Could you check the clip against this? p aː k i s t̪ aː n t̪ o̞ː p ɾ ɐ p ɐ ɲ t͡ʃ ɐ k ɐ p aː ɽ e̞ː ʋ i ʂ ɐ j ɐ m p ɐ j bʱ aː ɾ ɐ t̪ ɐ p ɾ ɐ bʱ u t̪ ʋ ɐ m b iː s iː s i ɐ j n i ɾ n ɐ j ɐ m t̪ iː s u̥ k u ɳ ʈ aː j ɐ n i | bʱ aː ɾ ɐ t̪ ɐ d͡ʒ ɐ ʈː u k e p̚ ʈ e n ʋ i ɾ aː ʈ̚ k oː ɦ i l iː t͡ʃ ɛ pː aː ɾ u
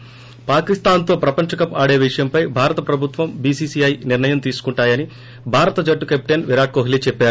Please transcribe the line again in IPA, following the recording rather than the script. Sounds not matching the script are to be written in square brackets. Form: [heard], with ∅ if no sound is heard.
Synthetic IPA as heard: p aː k i s t̪ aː n t̪ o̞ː p ɾ ɐ p ɐ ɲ t͡ʃ ɐ k ɐ p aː ɽ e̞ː ʋ i ʂ ɐ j ɐ m p ɐ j bʱ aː ɾ ɐ t̪ ɐ p ɾ ɐ bʱ u t̪ ʋ ɐ m b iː s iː s i ɐ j n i ɾ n ɐ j ɐ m t̪ iː s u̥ k u ɳ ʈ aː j ɐ n i | bʱ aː ɾ ɐ t̪ ɐ d͡ʒ ɐ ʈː u k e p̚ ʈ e n ʋ i ɾ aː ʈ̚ k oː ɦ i l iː t͡ʃ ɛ pː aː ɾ u